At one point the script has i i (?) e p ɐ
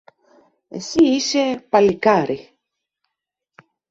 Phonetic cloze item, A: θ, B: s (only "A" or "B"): B